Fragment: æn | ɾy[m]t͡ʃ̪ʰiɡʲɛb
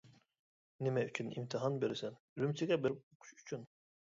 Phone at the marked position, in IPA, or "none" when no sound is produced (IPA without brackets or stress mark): m